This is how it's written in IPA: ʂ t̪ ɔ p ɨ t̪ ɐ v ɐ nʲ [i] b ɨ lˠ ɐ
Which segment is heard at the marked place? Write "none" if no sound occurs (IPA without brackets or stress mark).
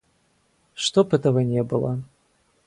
ɛ